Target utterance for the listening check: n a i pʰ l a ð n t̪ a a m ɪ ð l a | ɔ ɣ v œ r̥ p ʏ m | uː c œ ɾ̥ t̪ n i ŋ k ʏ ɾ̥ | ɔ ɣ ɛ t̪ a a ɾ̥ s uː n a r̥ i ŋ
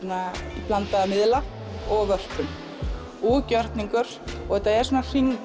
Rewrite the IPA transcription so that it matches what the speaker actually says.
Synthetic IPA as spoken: n a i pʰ l a n t̪ a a m ɪ ð l a | ɔ ɣ v œ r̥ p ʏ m | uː c œ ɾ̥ t̪ n i ŋ k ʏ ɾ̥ | ɔ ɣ ɛ t̪ a ɛ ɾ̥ s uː n a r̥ i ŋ

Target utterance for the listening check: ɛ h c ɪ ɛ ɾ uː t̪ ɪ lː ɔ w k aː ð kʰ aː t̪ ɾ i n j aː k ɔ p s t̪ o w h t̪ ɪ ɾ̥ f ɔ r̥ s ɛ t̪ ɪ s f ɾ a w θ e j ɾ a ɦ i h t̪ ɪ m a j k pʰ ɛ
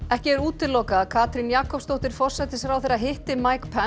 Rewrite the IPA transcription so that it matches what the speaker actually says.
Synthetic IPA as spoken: ɛ h c ɪ ɛ ɾ uː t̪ ɪ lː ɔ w k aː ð kʰ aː t̪ ɾ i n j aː k ɔ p s t̪ o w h t̪ ɪ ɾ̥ f ɔ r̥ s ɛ t̪ ɪ s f ɾ a w θ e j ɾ a ɦ ɪ h t̪ ɪ m a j k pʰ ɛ

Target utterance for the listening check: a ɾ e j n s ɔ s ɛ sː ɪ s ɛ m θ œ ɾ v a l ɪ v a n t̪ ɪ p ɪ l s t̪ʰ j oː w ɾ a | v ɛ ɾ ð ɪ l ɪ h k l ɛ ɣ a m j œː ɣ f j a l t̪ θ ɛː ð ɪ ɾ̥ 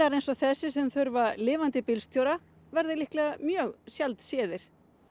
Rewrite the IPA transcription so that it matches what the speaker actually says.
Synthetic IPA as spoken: a ɾ e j n s ɔ θ ɛ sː ɪ s ɛ m θ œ ɾ v a l ɪː v a n t̪ ɪ p ɪ l s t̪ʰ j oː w ɾ a | v ɛ ɾ ð ɪ l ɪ h k l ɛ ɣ a m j œː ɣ s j a l t̪ s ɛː ð ɪ ɾ̥

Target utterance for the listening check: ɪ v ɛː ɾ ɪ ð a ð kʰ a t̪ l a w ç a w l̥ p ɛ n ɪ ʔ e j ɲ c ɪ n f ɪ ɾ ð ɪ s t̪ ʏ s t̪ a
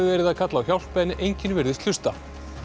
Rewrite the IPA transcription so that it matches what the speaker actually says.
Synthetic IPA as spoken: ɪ v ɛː ɾ ɪ ð a ð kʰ a t̪ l a w ç a w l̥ p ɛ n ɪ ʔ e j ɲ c ɪ n v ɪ ɾ ð ɪ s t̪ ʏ s t̪ a

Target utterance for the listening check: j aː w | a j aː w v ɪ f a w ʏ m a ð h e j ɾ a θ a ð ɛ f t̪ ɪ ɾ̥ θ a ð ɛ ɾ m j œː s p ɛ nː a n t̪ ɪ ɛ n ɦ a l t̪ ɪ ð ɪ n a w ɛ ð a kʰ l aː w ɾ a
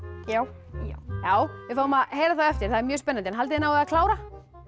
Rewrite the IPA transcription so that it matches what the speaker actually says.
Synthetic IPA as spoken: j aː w | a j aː w v ɪ f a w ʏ m a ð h e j ɾ a θ a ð ɛ f t̪ ɪ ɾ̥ θ a ð ɛ ɾ m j œː s p ɛ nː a n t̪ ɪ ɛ n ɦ a l t̪ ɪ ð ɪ n a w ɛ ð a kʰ l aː w ɾ a

